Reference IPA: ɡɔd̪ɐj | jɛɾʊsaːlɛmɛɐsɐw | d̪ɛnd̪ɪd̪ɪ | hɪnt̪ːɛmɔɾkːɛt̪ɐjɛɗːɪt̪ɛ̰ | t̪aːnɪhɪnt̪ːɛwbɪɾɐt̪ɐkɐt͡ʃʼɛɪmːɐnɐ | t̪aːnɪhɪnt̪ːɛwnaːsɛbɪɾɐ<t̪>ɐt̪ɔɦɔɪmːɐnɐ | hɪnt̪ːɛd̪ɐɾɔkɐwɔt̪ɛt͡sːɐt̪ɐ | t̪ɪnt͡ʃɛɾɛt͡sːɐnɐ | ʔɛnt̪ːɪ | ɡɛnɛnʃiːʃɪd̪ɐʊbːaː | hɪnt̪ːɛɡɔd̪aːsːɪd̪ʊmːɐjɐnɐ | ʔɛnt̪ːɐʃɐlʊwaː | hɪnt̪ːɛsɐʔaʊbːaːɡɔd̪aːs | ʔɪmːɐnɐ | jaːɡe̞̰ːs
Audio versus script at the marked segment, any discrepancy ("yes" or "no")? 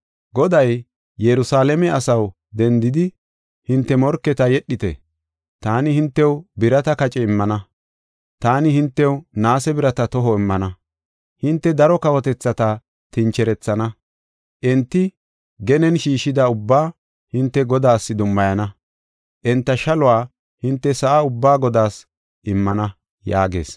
no